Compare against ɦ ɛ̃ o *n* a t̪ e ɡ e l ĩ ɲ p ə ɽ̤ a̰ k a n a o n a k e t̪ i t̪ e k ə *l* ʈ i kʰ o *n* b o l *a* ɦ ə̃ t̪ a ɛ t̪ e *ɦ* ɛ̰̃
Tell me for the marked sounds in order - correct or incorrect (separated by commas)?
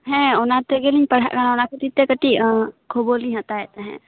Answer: correct, incorrect, incorrect, incorrect, correct